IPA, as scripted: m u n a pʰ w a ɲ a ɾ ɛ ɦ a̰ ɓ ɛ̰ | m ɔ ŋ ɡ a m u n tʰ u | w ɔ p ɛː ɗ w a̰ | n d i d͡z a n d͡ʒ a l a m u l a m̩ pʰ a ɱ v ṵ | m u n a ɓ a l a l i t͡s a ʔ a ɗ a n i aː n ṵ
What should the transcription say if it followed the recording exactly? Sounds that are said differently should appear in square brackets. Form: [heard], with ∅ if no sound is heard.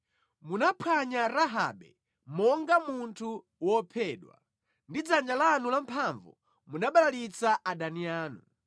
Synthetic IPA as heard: m u n a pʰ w a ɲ a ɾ [a] ɦ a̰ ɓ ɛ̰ | m ɔ ŋ ɡ a m u n tʰ u | w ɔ [pʰ] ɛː ɗ w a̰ | n d i d͡z a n d͡ʒ a l a [n] u l a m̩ pʰ a ɱ v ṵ | m u n a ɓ a l a l i t͡s a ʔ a ɗ a n i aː n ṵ